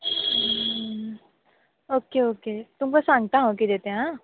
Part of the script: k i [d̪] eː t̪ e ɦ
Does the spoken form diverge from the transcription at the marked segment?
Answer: no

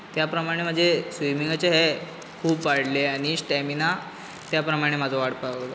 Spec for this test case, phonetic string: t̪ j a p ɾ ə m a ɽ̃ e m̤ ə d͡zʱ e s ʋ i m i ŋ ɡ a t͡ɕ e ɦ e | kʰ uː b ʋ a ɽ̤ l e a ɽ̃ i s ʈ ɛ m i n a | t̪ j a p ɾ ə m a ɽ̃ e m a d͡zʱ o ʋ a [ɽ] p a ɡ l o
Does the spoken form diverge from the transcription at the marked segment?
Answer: no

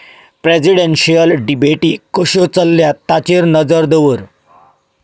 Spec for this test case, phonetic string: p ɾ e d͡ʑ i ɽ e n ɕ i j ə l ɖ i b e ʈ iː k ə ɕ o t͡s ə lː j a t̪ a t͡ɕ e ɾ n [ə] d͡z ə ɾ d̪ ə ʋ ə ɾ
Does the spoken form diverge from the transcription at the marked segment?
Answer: no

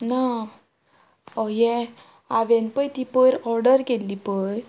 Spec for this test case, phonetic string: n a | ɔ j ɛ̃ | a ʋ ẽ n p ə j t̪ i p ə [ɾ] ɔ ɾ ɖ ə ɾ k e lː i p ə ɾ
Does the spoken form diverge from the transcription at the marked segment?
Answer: no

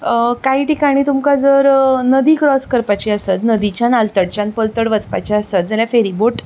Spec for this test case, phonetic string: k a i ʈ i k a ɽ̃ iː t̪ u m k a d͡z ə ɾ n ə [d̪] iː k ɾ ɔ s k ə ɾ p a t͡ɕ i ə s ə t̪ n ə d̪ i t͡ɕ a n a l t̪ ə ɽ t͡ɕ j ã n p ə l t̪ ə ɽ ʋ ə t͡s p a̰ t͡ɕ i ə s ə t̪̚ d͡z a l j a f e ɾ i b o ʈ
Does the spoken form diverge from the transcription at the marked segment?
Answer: no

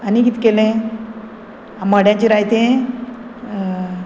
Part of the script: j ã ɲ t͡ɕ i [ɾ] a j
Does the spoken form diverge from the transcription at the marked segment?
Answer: no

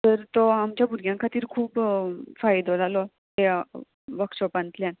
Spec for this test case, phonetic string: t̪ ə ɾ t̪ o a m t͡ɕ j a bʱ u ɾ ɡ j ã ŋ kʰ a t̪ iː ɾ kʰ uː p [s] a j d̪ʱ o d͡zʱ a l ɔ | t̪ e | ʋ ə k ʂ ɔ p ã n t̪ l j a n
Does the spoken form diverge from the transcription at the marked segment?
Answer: yes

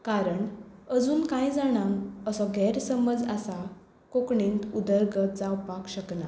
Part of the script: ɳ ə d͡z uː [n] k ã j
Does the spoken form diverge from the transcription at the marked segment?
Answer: no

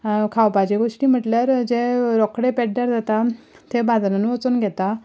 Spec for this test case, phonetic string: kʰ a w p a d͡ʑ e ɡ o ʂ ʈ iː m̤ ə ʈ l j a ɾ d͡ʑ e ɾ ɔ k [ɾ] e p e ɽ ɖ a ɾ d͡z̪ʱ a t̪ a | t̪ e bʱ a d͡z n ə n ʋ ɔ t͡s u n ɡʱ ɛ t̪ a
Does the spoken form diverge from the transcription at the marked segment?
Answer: yes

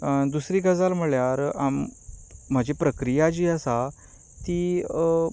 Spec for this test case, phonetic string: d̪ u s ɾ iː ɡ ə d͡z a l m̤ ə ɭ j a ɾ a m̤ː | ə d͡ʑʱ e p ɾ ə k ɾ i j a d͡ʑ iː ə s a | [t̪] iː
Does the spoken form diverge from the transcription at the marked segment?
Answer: no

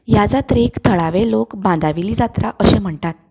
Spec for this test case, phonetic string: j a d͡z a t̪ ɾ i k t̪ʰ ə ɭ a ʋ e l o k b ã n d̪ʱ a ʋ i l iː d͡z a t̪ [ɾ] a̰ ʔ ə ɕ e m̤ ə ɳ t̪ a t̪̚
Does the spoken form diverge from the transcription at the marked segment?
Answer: no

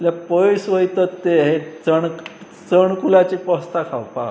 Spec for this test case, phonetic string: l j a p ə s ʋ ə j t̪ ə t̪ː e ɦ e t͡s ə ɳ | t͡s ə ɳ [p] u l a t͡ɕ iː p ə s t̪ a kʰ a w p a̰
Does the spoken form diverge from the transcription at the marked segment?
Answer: yes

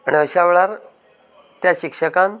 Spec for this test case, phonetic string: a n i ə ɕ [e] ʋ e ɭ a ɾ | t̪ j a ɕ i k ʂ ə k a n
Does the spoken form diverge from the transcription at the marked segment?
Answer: yes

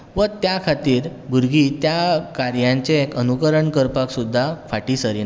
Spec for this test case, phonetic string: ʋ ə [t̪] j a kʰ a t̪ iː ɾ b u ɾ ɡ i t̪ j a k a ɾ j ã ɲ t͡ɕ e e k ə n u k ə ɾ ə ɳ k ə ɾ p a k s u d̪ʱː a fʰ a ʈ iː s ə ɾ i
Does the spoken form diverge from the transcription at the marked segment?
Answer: no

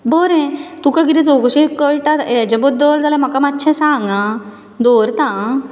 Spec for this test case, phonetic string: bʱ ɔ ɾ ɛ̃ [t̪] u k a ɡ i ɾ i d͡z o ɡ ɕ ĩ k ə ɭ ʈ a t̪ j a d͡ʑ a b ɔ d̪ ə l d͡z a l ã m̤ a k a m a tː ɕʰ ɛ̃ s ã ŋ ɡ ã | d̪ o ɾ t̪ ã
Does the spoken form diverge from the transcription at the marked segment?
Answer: no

